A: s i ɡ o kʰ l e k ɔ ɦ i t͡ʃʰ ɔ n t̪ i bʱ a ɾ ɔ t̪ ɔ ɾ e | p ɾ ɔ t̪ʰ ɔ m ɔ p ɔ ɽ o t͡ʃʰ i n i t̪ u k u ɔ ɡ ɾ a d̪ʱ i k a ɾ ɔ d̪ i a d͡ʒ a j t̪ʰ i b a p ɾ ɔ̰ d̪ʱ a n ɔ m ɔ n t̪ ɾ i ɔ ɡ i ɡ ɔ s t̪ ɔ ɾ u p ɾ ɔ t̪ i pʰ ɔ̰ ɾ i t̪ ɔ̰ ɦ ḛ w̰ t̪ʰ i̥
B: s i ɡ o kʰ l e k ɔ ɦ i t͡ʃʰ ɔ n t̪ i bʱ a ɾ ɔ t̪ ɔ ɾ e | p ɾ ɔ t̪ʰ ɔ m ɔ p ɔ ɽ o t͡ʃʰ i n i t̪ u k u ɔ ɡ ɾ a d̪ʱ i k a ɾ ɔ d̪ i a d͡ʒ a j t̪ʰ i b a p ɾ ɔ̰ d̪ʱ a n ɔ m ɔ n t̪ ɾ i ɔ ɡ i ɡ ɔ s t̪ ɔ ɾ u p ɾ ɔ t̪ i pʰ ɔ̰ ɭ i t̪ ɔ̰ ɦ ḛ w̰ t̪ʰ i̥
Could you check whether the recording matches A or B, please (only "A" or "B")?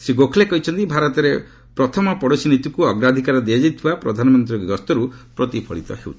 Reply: B